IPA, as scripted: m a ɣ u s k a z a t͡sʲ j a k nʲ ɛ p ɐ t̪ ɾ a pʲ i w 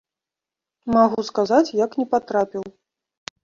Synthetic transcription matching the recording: m a ɣ u s k a z a t͡sʲ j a k nʲ ɛ p a t̪ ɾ a pʲ i w